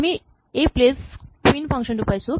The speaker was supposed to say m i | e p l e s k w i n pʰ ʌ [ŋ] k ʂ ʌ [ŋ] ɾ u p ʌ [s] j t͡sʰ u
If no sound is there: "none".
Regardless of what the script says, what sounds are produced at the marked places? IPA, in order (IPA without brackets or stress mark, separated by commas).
ŋ, n, none